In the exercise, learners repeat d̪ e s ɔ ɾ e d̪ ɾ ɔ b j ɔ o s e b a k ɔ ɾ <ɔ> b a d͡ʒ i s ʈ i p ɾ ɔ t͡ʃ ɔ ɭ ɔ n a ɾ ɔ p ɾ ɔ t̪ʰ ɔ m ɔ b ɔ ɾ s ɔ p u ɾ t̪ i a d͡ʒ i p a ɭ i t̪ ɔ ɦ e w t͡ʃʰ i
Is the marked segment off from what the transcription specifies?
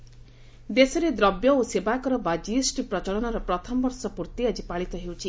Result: no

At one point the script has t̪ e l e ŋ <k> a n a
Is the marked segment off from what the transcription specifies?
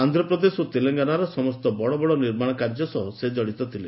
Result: yes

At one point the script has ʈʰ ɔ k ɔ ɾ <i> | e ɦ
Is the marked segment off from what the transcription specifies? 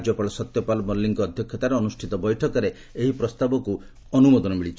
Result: yes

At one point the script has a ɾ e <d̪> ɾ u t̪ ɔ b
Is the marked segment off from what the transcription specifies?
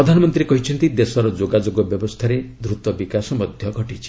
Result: no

